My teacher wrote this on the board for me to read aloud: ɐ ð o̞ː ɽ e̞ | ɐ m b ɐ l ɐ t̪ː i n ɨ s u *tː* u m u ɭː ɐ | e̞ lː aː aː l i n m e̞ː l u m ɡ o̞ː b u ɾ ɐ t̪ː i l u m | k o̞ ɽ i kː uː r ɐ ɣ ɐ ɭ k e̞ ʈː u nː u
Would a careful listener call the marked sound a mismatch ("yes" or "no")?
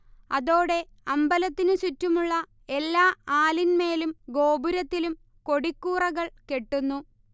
no